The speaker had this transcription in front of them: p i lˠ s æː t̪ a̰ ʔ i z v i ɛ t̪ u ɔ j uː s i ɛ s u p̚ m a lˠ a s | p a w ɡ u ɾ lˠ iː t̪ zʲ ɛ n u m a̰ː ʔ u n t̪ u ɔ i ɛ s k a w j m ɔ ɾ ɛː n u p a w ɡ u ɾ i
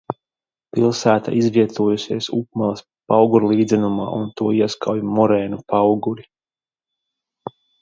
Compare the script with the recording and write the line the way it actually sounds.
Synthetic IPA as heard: p i lˠ s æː t̪ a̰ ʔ i z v i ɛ t̪ u ɔ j u s i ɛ s u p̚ m a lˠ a s | p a w ɡ u ɾ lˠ iː d̪ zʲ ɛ n u m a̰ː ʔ u n t̪ u ɔ i ɛ s k a w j m ɔ ɾ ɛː n u p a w ɡ u ɾ i